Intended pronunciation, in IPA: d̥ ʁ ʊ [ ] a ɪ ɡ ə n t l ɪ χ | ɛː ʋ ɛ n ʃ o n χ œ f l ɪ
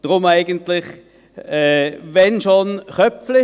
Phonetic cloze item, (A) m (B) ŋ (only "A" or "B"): A